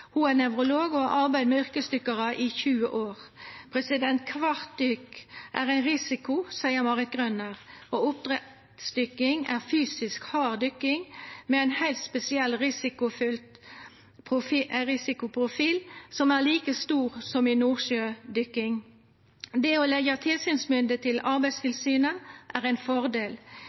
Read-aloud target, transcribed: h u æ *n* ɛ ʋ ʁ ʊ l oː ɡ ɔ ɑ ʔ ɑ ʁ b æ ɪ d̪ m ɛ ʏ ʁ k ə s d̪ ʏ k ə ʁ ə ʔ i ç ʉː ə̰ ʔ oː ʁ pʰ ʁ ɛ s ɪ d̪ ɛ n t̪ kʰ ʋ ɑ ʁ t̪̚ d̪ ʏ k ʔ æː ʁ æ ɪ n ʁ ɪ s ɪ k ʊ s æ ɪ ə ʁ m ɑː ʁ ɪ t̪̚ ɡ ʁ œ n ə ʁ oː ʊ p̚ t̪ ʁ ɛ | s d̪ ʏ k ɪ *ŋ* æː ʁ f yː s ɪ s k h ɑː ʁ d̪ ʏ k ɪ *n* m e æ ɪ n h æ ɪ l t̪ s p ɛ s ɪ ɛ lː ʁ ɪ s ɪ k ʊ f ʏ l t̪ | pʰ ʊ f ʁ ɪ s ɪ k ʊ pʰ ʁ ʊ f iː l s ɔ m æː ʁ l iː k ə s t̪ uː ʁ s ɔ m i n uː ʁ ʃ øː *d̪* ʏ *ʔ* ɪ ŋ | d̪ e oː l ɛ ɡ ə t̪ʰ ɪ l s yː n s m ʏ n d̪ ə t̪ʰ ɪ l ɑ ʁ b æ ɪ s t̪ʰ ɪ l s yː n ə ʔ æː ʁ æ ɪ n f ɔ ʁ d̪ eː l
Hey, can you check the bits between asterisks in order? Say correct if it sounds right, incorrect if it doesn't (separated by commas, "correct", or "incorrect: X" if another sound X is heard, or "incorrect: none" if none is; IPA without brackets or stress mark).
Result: correct, correct, incorrect: ŋ, correct, incorrect: k